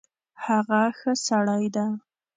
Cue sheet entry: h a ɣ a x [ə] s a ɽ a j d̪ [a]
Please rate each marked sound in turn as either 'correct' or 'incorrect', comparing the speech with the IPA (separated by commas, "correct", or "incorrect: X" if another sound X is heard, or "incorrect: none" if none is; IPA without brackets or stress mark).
correct, correct